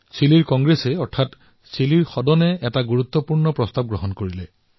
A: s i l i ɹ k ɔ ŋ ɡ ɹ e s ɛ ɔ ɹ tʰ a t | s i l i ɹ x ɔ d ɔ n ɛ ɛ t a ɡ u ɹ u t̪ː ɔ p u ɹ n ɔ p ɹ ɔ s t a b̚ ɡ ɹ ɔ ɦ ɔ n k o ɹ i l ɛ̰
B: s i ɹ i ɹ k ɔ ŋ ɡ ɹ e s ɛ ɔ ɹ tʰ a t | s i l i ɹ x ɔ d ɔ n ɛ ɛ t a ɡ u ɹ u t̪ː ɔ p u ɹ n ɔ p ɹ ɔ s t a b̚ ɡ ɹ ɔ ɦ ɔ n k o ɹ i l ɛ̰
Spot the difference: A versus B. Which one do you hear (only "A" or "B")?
A